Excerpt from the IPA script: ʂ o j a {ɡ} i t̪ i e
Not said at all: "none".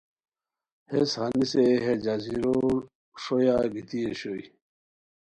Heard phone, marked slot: ɡ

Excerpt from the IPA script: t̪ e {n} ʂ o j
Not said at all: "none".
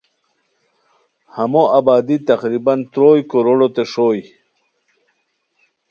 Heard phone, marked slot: none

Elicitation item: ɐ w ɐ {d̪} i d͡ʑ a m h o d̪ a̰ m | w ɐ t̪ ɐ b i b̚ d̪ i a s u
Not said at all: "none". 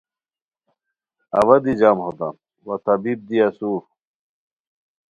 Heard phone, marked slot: d̪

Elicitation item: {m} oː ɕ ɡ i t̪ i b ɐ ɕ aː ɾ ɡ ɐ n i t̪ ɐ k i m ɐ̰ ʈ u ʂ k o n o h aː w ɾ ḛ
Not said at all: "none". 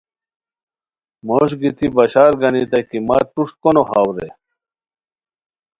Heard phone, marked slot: m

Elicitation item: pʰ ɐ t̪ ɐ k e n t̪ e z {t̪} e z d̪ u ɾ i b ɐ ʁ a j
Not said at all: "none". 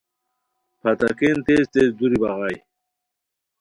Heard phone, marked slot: t̪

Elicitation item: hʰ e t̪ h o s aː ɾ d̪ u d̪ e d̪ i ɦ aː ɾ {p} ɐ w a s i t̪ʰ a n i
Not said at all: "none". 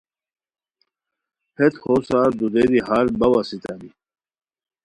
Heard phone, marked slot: b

